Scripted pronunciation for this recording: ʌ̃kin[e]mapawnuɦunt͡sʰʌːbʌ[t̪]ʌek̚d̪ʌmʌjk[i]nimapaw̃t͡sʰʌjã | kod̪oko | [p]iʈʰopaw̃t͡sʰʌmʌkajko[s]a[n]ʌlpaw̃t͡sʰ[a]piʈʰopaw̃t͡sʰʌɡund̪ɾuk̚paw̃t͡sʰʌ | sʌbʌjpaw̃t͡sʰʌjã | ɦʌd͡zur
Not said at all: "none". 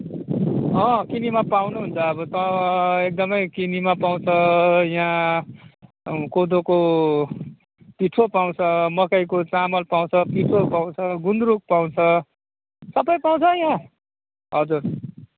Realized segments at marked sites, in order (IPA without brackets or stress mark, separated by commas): i, t̪, i, p, t͡s, m, ʌ